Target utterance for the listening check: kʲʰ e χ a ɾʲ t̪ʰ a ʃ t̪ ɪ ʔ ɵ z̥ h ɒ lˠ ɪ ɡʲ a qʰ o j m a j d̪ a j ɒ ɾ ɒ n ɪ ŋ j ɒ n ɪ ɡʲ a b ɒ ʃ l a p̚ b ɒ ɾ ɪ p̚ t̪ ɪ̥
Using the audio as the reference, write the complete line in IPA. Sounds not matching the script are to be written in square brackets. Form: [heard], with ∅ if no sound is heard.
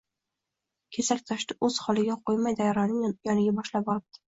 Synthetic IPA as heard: kʲʰ e [s] a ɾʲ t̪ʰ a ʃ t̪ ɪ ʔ ɵ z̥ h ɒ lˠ ɪ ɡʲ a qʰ o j m a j d̪ a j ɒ ɾ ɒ n ɪ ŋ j ɒ n ɪ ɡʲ a b ɒ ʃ l a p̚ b ɒ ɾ ɪ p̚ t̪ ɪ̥